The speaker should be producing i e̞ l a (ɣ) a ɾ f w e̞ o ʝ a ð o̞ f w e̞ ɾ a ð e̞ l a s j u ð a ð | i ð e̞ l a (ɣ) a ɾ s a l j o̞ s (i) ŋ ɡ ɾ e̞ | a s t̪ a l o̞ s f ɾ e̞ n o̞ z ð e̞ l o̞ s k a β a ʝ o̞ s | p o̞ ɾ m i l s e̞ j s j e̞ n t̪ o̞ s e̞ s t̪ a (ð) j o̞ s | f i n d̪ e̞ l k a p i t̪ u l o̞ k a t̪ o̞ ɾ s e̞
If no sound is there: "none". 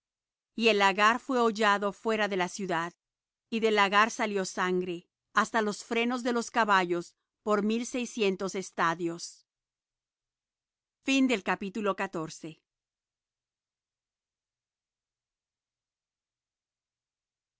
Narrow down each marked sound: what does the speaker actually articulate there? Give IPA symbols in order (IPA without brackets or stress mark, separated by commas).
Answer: ɣ, ɣ, a, ð